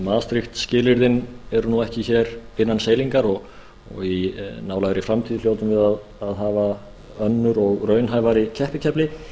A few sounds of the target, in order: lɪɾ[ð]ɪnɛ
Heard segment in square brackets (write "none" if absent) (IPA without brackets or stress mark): ð